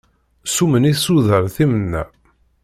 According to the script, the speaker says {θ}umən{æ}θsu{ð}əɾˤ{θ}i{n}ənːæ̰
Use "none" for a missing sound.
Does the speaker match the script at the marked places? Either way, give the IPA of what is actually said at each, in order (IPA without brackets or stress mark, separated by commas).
s, i, ð, θ, m